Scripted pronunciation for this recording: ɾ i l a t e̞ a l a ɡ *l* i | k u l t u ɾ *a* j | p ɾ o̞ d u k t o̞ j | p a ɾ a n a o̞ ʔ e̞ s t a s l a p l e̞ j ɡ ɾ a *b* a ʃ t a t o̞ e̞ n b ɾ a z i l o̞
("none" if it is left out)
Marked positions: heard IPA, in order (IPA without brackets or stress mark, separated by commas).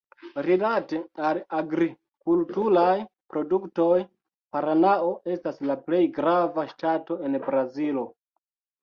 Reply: ɾ, a, v